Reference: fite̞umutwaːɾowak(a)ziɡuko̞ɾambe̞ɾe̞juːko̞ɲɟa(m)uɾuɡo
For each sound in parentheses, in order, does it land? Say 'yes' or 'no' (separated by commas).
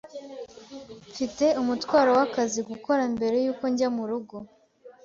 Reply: yes, yes